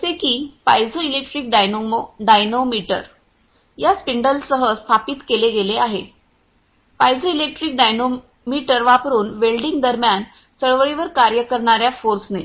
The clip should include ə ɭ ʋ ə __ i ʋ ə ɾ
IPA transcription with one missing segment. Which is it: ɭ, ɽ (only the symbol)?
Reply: ɭ